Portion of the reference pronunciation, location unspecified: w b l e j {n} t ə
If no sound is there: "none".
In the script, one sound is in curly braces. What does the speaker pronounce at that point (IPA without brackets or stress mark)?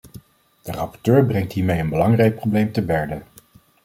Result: m